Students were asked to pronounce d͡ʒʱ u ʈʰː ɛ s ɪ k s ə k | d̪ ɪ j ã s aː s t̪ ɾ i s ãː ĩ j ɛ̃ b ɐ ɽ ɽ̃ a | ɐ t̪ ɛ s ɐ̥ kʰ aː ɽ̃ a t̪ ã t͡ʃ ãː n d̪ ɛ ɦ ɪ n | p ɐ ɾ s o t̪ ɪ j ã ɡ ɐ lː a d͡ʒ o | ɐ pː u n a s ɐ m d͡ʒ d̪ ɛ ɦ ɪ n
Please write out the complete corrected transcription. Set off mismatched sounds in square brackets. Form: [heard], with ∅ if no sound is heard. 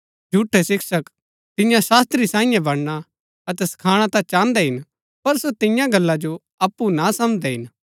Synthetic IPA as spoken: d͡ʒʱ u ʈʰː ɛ s ɪ k s ə k | [t̪] ɪ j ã s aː s t̪ ɾ i s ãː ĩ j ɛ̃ b ɐ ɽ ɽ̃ a | ɐ t̪ ɛ s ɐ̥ kʰ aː ɽ̃ a t̪ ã t͡ʃ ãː n d̪ ɛ ɦ ɪ n | p ɐ ɾ s o t̪ ɪ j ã ɡ ɐ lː a d͡ʒ o | ɐ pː u n a s ɐ m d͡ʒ d̪ ɛ ɦ ɪ n